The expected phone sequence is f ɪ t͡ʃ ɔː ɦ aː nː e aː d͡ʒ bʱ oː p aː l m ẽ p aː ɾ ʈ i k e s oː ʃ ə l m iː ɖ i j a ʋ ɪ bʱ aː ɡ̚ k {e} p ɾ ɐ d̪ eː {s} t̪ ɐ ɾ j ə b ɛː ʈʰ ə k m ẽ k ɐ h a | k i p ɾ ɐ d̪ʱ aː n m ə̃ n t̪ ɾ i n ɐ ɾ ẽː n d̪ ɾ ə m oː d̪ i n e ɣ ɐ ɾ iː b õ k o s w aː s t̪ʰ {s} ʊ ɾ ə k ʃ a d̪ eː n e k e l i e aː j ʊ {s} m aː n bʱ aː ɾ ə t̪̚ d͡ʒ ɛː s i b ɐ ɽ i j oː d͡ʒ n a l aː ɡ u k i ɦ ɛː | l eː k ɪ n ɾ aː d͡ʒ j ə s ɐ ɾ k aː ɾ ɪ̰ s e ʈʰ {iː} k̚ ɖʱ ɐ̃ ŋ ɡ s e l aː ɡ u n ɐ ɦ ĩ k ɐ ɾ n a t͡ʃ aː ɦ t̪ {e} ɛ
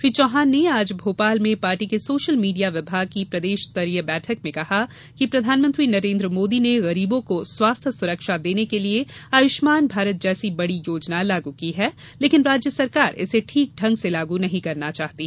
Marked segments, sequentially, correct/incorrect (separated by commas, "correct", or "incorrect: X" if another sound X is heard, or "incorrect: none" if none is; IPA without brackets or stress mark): incorrect: i, incorrect: ʃ, correct, incorrect: ʃ, correct, incorrect: i